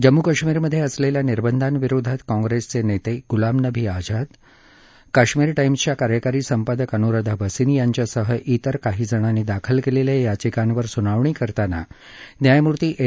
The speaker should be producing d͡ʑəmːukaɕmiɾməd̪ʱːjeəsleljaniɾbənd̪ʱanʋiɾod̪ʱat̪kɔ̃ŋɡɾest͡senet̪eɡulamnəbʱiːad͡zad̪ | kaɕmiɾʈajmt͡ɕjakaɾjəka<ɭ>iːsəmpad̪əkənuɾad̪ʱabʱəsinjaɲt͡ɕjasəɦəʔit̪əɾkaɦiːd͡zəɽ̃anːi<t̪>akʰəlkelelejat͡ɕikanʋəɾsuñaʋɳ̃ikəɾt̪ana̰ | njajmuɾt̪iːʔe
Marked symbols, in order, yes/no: no, no

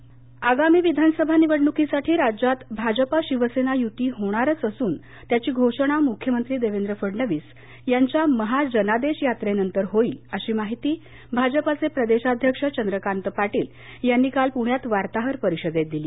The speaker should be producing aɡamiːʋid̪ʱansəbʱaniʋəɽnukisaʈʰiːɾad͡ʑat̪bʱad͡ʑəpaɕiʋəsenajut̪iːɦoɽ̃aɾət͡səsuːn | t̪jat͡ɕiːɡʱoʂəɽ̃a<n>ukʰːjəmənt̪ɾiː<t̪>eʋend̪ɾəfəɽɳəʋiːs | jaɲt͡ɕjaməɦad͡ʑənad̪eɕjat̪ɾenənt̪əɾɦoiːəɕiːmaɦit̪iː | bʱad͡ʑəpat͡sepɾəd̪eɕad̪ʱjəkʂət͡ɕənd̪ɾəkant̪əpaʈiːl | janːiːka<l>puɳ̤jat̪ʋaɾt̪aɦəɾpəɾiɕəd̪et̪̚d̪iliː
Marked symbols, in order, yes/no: no, no, yes

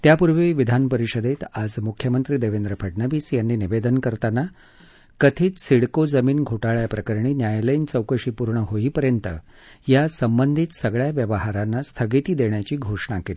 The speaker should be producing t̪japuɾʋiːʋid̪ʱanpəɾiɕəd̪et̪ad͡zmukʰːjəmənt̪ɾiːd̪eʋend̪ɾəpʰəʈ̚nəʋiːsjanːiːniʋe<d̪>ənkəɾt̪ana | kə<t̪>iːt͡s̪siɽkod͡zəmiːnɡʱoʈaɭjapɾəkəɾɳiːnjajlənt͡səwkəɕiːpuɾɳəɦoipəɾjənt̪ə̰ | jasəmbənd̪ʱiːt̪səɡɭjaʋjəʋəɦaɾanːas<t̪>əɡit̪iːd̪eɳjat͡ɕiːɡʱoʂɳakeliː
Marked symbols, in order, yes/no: yes, no, no

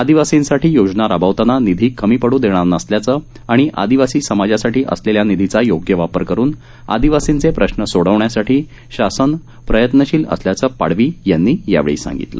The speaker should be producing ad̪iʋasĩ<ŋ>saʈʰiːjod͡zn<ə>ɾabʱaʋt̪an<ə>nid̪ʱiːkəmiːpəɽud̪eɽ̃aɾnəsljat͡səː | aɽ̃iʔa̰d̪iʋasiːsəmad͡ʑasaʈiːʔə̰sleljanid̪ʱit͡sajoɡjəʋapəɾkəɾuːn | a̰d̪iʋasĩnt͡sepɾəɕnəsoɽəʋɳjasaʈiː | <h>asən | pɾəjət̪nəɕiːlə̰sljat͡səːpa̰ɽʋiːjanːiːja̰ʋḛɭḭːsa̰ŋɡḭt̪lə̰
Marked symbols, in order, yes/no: no, no, no, no

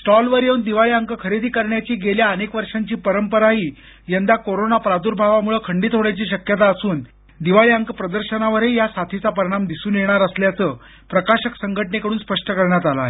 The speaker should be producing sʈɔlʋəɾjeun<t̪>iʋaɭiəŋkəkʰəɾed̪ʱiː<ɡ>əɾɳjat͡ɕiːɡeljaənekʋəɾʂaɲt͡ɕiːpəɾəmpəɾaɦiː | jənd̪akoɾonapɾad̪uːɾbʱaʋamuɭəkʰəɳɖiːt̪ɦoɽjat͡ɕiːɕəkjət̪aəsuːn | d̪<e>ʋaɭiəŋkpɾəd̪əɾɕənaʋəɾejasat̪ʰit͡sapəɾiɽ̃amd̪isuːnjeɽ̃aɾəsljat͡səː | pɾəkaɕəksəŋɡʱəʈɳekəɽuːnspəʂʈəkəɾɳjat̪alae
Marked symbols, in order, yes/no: no, no, no

